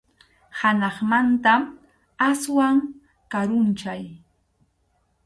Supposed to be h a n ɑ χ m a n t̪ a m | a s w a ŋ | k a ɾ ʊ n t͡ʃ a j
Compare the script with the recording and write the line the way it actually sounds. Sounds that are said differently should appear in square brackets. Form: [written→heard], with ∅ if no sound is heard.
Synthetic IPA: h a n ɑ χ m a n t̪ a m | a s w a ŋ | k a ɾ ʊ n t͡ʃ a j